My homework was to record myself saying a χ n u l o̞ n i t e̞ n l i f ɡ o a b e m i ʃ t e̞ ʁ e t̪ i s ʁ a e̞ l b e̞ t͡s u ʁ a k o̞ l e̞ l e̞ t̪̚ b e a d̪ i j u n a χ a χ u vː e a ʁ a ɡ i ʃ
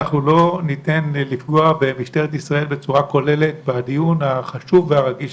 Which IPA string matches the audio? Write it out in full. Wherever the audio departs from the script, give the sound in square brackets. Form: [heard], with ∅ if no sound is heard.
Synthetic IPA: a χ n u l o̞ n i t e̞ n l i f ɡ o a b e m i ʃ t e̞ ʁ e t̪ i s ʁ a e̞ l b e̞ t͡s u ʁ a k o̞ l e̞ l e̞ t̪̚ b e a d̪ i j u n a χ a [ʃ] u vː e a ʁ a ɡ i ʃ